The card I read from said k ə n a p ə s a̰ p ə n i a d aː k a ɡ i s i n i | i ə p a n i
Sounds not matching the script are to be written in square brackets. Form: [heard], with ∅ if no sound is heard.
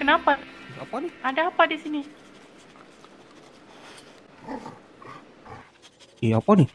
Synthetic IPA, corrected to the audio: k ə n a p [a] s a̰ p [a] n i a d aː [p] a [d] i s i n i | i [a] p a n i